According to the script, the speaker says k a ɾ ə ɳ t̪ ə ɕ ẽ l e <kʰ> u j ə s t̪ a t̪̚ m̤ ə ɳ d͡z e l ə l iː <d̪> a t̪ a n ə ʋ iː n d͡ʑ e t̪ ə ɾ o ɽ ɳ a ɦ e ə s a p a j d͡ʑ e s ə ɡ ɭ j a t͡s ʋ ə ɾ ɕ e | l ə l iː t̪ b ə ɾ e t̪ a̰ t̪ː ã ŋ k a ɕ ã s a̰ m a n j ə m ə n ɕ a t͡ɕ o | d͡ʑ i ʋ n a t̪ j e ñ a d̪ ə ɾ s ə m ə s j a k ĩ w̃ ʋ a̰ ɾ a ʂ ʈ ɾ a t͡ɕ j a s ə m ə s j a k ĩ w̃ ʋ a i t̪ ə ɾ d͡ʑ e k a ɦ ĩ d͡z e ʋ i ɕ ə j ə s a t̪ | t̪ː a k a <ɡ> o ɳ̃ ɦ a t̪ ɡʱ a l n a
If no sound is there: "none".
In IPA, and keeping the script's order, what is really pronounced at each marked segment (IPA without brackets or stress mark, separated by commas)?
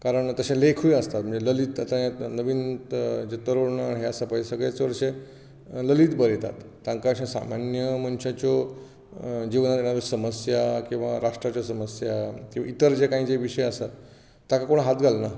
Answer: kʰ, t̪, k